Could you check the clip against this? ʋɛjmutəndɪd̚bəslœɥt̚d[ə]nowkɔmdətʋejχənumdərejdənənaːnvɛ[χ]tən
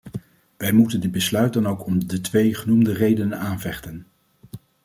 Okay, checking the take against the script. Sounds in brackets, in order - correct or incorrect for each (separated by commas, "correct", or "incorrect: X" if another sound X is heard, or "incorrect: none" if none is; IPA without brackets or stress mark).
incorrect: ɑ, correct